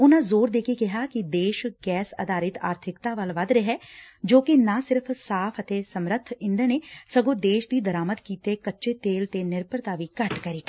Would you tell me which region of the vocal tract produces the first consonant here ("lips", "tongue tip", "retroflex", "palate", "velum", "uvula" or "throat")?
tongue tip